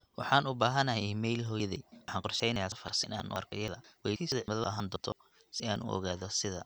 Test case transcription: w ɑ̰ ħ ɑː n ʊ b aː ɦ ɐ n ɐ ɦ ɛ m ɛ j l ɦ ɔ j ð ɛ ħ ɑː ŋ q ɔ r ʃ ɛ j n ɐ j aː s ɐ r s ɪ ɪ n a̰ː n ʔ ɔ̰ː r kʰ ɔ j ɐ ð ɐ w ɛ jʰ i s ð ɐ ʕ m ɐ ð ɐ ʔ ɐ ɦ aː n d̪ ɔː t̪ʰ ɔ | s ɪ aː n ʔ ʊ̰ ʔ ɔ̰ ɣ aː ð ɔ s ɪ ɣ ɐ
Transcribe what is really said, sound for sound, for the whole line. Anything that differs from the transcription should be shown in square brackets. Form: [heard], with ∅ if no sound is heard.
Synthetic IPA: w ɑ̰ ħ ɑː n ʊ b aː ɦ ɐ n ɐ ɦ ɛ m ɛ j l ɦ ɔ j ð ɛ ħ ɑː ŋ q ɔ r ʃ ɛ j n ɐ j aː [f] ɐ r s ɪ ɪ n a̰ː n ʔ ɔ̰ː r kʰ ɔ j ɐ ð ɐ w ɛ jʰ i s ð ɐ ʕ m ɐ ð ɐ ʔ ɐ ɦ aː n d̪ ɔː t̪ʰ ɔ | s ɪ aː n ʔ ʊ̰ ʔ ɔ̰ ɣ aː ð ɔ s ɪ [ð] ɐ